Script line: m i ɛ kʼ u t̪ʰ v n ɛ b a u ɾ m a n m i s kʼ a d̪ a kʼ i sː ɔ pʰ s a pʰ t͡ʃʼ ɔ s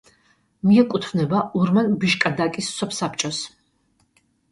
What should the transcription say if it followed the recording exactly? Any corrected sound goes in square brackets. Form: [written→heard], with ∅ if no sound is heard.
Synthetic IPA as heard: m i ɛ kʼ u t̪ʰ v n ɛ b a u ɾ m a n [m→b] i [s→ʃ] kʼ a d̪ a kʼ i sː ɔ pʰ s a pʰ t͡ʃʼ ɔ s